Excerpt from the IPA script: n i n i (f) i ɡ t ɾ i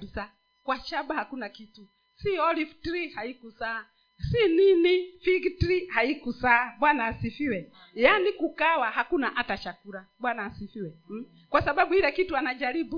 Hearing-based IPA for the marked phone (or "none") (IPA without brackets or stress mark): f